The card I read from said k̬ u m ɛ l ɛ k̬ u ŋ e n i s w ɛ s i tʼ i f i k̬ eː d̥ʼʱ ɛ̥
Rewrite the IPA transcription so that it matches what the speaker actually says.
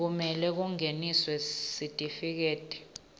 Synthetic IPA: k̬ u m ɛ l ɛ k̬ u ŋ e n i s w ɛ s i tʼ i f i k̬ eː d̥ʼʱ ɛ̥